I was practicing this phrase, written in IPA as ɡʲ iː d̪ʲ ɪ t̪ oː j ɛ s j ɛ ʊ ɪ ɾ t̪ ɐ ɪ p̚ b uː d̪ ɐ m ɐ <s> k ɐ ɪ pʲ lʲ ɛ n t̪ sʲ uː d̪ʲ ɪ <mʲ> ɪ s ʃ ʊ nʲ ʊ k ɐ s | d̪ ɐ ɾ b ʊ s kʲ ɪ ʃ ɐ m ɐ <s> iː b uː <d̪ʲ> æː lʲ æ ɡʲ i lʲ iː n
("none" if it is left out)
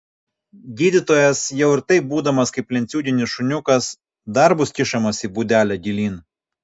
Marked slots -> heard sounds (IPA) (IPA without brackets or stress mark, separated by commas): s, nʲ, s, d̪ʲ